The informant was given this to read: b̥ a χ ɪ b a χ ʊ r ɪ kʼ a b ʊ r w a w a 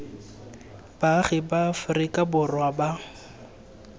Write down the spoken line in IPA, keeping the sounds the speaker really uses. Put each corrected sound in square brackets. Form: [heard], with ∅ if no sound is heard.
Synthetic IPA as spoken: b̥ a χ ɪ b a [f] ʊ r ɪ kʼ a b ʊ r w a [b] a